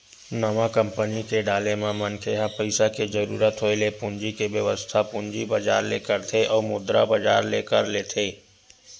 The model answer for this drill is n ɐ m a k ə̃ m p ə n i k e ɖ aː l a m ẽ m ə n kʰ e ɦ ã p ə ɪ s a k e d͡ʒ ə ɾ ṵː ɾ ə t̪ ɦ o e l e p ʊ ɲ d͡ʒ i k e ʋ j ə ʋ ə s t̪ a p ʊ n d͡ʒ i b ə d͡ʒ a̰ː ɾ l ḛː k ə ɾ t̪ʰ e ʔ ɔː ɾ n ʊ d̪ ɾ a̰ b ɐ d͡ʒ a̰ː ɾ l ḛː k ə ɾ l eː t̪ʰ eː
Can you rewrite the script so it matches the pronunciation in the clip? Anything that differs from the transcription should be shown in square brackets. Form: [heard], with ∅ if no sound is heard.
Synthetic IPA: n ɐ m a k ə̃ m p ə n i k e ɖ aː l [e] m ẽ m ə n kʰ e ɦ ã p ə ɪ s a k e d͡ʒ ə ɾ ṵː ɾ ə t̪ ɦ o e l e p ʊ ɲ d͡ʒ i k e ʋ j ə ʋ ə s [t̪ʰ] a p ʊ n d͡ʒ i b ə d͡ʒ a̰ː ɾ l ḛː k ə ɾ t̪ʰ e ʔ ɔː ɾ [m] ʊ d̪ ɾ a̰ b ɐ d͡ʒ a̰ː ɾ l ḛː k ə ɾ l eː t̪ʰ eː

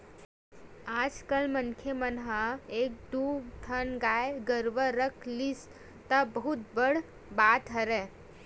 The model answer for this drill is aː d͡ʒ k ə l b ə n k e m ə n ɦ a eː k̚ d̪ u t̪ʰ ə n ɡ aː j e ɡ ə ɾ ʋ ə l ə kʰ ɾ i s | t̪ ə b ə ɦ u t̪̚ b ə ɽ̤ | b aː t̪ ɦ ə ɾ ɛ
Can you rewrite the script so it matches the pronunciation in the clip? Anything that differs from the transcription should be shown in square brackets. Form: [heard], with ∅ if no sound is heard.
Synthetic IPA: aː d͡ʒ k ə l [m] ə n [kʰ] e m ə n ɦ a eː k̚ d̪ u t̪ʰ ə n ɡ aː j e ɡ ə ɾ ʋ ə [ɾ] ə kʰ [l] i s | t̪ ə b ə ɦ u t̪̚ b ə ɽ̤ | b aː t̪ ɦ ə ɾ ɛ

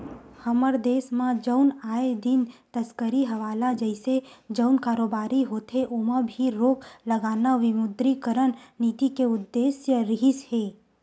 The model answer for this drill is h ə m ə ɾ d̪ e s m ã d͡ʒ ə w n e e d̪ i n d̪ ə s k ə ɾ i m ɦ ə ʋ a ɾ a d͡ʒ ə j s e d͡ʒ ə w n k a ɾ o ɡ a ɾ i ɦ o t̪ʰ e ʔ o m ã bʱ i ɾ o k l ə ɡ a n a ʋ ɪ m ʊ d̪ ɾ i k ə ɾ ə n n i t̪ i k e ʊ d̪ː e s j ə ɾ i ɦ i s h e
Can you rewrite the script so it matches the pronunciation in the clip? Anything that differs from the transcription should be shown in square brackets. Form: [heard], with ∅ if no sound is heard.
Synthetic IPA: h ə m ə ɾ d̪ e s m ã d͡ʒ ə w n [a] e d̪ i n [t̪] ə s k ə ɾ i [∅] ɦ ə ʋ a [l] a d͡ʒ ə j s e d͡ʒ ə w n k a ɾ o [b] a ɾ i ɦ o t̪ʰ e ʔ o m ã bʱ i ɾ o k l ə ɡ a n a ʋ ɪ m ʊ d̪ ɾ i k ə ɾ ə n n i t̪ i k e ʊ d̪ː e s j ə ɾ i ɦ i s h e

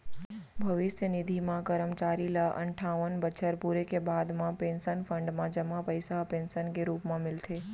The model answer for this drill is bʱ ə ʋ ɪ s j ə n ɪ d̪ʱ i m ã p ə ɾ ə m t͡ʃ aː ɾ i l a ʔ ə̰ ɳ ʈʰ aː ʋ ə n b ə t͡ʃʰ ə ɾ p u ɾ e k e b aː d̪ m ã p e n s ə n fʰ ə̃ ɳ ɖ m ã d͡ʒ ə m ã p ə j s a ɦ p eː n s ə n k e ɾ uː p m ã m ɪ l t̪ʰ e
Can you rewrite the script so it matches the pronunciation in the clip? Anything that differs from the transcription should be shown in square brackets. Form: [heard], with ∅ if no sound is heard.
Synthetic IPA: bʱ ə ʋ ɪ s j ə n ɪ d̪ʱ i m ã [k] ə ɾ ə m t͡ʃ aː ɾ i l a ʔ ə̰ ɳ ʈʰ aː ʋ ə n b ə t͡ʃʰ ə ɾ p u ɾ e k e b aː d̪ m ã p e n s ə n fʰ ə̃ ɳ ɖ m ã d͡ʒ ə m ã p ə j s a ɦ p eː n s ə n k e ɾ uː p m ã m ɪ l t̪ʰ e

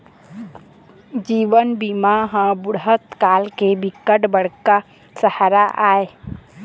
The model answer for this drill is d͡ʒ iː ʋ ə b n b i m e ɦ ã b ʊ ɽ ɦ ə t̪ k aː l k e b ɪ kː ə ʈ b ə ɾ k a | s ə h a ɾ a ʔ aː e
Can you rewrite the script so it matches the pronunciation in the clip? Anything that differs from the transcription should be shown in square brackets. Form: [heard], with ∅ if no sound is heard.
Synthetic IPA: d͡ʒ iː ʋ ə [∅] n b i m [a] ɦ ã b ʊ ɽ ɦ ə t̪ k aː l k e b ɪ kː ə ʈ b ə [ɽ] k a | s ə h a ɾ a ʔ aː e

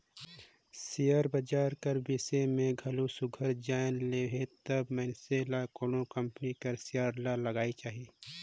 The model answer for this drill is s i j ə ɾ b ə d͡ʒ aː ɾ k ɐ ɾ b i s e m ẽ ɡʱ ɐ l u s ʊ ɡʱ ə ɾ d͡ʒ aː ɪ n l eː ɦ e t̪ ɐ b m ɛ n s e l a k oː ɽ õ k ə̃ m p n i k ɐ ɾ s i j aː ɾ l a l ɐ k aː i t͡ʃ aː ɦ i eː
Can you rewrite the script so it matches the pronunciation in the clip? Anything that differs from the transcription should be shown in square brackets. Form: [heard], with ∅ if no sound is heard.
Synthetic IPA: s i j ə ɾ b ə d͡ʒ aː ɾ k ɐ ɾ b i s e m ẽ ɡʱ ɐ l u s ʊ ɡʱ ə ɾ d͡ʒ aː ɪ n l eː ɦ e t̪ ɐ b m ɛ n s e l a k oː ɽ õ k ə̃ m p n i k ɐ ɾ s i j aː ɾ l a l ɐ [ɡ] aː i t͡ʃ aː ɦ i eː

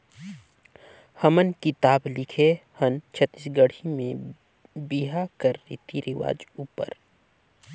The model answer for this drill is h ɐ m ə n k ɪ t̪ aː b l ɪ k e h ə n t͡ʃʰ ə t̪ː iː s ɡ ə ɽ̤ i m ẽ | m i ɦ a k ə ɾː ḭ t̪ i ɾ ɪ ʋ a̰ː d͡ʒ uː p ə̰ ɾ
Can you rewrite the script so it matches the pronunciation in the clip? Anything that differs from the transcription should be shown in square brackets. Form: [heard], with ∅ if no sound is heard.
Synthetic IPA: h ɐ m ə n k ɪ t̪ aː b l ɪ [kʰ] e h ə n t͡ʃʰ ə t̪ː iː s ɡ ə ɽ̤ i m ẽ | [b] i ɦ a k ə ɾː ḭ t̪ i ɾ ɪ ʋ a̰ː d͡ʒ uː p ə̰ ɾ

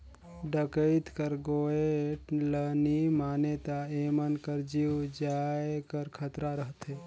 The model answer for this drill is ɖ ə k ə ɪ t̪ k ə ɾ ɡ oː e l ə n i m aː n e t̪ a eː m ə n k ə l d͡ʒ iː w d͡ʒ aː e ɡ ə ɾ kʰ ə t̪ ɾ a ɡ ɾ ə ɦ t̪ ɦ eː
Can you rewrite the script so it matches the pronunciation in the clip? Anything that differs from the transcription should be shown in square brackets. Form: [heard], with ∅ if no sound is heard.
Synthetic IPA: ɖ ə k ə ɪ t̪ k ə ɾ ɡ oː e l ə n i m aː n e t̪ a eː m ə n k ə [ɾ] d͡ʒ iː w d͡ʒ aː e [k] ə ɾ kʰ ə t̪ ɾ a [∅] ɾ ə ɦ t̪ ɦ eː

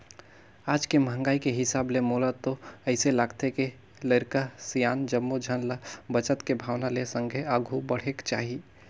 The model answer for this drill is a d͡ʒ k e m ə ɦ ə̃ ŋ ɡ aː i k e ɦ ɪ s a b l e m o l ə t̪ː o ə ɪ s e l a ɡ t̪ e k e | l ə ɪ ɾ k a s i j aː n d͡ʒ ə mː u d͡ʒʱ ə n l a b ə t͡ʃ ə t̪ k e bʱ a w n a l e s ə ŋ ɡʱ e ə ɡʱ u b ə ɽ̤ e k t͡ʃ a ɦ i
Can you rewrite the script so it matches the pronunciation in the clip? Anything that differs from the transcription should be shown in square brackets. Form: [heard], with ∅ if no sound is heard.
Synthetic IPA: a d͡ʒ k e m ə ɦ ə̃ ŋ ɡ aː i k e ɦ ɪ s a b l e m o l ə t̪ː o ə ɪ s e l a ɡ t̪ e k e | l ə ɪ ɾ k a s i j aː n d͡ʒ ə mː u d͡ʒʱ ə n l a b ə t͡ʃ ə t̪ k e bʱ a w n a l e s ə ŋ ɡʱ e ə ɡʱ u b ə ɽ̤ e k t͡ʃ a ɦ i

